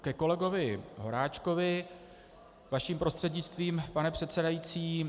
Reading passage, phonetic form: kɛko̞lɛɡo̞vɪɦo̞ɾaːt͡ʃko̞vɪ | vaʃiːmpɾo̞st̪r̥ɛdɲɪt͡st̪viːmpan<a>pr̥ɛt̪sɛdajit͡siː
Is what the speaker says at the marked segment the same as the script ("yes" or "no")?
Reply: no